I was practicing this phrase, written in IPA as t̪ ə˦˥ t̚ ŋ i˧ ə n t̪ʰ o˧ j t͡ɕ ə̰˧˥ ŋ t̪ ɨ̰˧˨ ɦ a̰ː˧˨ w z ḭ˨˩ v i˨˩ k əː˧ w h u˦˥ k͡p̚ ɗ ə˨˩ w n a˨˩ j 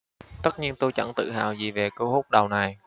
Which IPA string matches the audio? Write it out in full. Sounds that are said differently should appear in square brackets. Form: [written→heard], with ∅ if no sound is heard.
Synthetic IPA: t̪ ə˦˥ t̚ [ŋ→ɲ] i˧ ə n [t̪ʰ→t̪] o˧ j t͡ɕ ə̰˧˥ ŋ t̪ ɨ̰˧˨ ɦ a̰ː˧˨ w z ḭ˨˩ v [i˨˩→e˨˩] k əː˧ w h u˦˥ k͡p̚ ɗ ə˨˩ w n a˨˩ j